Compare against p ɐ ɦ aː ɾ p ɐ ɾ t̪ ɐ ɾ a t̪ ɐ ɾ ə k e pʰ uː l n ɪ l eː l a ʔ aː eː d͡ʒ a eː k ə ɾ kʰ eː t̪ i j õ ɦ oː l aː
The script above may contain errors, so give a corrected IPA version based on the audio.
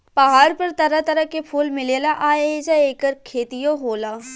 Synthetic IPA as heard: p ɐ ɦ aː ɾ p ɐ ɾ t̪ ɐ ɾ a t̪ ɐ ɾ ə k e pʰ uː l m ɪ l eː l a ʔ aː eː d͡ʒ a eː k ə ɾ kʰ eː t̪ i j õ ɦ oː l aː